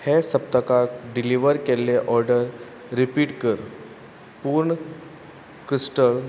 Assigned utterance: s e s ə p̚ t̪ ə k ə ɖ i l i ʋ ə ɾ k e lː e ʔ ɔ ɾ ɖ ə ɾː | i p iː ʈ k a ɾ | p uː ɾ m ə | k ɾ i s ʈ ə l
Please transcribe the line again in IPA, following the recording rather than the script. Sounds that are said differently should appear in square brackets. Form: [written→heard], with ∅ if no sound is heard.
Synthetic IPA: [s→h] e s ə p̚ t̪ ə k [ə→a] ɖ i l i ʋ ə ɾ k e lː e ʔ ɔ ɾ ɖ ə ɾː | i p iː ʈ k [a→ə] ɾ | p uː ɾ [m→ɳ] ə | k ɾ i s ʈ ə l